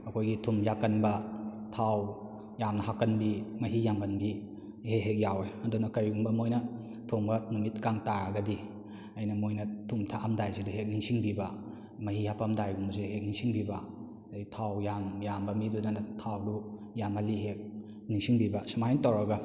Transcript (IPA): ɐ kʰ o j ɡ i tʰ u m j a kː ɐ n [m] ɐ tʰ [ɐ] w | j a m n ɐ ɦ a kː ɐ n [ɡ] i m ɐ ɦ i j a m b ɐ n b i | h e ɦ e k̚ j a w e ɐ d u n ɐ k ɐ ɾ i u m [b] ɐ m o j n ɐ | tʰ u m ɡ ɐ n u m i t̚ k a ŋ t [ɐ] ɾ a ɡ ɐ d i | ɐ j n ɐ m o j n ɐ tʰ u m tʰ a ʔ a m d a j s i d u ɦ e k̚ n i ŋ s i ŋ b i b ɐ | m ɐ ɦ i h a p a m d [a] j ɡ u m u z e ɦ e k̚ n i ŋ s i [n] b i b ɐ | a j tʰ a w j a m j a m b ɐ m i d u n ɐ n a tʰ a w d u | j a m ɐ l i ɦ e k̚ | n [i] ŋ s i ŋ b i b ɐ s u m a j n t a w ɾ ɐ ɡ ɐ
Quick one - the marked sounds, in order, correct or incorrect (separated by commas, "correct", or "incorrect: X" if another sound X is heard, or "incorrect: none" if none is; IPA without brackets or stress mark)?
incorrect: b, incorrect: a, incorrect: b, correct, incorrect: a, correct, incorrect: ŋ, correct